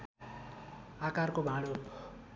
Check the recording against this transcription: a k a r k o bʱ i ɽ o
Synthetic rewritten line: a k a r k o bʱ a ɽ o